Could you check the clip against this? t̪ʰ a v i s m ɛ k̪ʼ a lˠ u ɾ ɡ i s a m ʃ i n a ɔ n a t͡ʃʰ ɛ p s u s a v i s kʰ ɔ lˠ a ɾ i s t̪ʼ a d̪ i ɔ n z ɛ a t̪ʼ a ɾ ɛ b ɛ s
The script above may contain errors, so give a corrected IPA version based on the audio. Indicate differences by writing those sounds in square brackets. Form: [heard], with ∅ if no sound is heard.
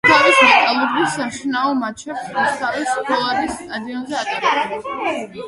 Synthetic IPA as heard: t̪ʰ a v i s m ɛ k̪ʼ a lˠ u ɾ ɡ i s a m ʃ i n a ɔ [m] a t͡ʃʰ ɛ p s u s a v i s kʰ ɔ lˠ a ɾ i s t̪ʼ a d̪ i ɔ n z ɛ a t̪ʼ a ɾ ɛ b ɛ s